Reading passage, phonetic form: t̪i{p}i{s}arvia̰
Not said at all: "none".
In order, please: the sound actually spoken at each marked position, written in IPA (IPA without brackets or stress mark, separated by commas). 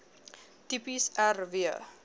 p, s